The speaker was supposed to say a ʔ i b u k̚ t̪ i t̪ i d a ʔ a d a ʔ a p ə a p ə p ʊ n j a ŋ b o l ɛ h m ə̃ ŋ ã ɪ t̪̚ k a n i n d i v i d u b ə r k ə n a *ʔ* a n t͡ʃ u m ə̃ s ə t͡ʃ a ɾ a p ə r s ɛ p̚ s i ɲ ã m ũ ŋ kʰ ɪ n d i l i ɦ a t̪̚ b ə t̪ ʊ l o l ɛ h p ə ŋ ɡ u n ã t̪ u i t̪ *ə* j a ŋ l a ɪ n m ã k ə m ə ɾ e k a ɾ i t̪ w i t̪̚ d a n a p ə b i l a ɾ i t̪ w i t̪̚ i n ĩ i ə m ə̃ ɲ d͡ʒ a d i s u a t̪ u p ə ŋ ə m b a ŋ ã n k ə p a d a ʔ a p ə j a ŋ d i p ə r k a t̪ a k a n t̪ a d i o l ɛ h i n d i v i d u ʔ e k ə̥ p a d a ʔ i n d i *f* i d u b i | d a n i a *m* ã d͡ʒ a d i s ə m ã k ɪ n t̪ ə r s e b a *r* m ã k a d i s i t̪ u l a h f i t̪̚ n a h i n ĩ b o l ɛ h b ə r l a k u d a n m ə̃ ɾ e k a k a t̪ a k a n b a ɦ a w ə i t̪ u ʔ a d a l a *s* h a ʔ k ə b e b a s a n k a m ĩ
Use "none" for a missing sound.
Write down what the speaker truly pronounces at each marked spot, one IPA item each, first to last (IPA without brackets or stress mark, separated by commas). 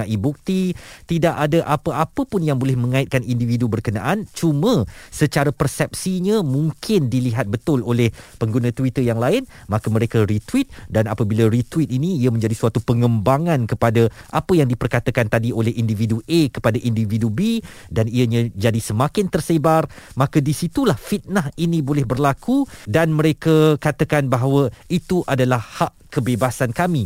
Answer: ʔ, ə, v, ɲ, r, h